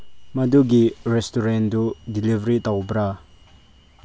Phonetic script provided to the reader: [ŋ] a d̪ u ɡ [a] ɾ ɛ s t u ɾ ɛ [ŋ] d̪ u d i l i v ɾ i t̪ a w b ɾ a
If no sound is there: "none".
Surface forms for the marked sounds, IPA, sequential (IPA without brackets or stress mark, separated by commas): m, i, n